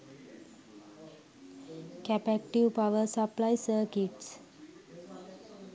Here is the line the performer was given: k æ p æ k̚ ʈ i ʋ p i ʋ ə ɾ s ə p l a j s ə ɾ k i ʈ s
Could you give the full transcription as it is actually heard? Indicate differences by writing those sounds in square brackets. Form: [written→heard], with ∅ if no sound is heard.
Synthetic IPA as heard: k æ p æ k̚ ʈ i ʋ p [i→a] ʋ ə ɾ s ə p l a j s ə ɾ k i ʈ s